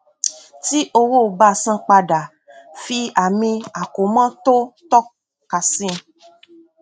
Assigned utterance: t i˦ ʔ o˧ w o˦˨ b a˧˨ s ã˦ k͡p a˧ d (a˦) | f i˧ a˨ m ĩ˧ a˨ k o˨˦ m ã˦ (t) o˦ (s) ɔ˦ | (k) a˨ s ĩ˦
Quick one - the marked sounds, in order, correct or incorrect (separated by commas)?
incorrect, correct, incorrect, correct